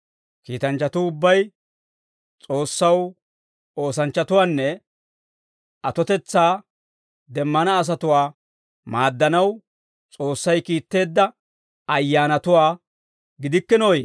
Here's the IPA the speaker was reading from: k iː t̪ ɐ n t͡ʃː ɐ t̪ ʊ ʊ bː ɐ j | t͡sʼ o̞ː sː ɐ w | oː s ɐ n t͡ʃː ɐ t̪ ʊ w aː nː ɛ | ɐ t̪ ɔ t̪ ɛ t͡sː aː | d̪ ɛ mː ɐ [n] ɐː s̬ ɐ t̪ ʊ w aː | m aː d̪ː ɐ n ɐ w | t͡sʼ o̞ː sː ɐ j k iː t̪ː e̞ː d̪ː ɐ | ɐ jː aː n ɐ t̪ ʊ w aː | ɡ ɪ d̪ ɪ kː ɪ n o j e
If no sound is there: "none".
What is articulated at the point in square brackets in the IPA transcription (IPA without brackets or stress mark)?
n